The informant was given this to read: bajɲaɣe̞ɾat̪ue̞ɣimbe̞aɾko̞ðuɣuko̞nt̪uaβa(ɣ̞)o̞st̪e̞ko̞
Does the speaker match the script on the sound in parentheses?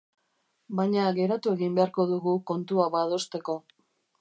no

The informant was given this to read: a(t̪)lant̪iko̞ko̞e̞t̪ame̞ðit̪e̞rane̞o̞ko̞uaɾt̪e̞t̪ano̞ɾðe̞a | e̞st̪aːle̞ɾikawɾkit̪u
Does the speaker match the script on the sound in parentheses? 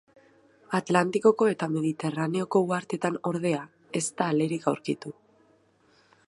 yes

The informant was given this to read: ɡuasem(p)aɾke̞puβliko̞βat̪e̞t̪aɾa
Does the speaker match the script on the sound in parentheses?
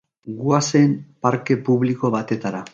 yes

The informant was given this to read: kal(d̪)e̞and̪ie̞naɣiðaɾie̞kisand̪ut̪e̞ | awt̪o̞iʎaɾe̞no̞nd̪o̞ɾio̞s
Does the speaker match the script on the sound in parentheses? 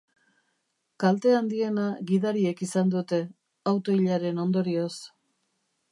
no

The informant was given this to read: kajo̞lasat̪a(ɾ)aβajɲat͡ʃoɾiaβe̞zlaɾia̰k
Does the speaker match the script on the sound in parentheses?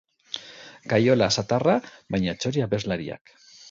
no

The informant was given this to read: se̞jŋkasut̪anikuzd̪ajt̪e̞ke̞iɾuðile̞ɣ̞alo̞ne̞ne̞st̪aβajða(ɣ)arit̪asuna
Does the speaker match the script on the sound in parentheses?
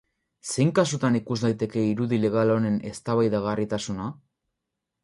yes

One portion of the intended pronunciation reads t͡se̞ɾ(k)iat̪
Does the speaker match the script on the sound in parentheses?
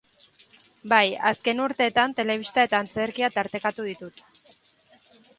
yes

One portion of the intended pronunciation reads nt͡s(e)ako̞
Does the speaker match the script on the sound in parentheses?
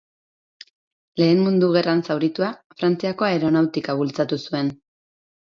no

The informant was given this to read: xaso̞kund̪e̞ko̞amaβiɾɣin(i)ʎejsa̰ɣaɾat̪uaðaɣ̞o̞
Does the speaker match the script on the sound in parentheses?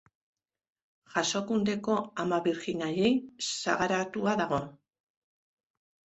no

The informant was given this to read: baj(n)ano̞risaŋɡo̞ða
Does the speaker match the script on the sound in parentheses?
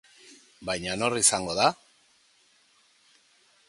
no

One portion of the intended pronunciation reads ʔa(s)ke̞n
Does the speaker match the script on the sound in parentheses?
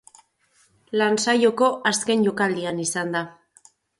yes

